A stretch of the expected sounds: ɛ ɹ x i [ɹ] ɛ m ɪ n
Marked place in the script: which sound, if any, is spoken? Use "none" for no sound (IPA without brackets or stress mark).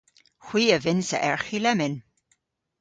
l